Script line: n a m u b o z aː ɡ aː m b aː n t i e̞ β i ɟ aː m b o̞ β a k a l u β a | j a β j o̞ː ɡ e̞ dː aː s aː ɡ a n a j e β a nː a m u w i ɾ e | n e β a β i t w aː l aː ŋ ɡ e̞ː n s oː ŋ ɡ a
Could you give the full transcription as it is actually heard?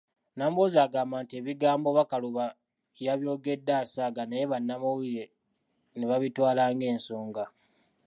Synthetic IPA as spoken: n a m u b o z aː ɡ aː m b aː n t i e̞ β i ɡ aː m b o̞ β a k a l u β a | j a β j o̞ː ɡ e̞ dː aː s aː ɡ a n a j e β a nː a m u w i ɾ e | n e β a β i t w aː l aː ŋ ɡ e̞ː n s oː ŋ ɡ a